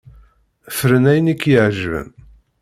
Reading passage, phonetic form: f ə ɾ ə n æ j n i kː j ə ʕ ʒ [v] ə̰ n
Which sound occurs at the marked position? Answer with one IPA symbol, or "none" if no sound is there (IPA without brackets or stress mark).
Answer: v